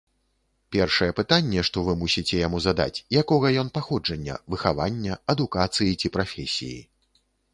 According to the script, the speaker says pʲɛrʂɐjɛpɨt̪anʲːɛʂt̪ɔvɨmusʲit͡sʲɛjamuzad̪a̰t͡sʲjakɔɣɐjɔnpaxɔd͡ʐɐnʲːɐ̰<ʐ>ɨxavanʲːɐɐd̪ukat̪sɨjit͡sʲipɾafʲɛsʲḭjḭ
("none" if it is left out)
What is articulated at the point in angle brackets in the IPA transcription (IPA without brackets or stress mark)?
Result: v